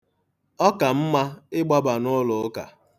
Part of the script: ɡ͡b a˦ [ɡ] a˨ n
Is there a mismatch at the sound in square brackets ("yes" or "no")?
yes